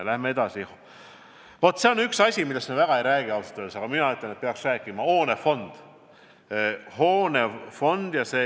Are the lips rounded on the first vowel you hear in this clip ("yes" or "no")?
no